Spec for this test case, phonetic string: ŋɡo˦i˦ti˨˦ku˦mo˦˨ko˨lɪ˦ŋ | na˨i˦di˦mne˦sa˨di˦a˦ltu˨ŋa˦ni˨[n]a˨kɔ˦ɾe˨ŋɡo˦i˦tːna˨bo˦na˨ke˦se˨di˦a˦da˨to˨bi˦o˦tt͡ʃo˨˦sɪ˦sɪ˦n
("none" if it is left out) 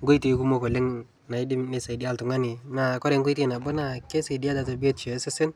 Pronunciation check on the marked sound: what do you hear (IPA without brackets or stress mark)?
n